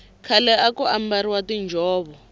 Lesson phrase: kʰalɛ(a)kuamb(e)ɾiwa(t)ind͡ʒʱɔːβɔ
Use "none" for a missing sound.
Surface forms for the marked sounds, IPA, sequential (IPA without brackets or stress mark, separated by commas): a, a, t